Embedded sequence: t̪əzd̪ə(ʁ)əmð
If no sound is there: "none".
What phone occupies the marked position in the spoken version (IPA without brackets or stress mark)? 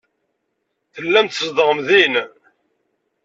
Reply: ʁ